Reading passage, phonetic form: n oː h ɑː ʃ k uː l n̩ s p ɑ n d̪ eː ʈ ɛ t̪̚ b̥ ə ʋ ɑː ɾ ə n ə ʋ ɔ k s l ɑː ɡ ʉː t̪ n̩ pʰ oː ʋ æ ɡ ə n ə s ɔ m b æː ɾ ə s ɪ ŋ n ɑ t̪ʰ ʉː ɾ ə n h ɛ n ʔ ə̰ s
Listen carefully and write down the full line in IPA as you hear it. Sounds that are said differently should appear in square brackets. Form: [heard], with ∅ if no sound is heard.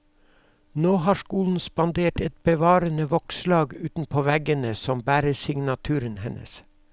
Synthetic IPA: n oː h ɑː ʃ k uː l n̩ s p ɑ n d̪ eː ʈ ɛ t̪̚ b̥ ə ʋ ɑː ɾ ə n ə ʋ ɔ k s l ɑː ɡ ʉː t̪ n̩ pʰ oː ʋ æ ɡ ə n ə s ɔ m b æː ɾ ə s ɪ ŋ n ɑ t̪ʰ ʉː ɾ ə n h ɛ n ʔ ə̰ s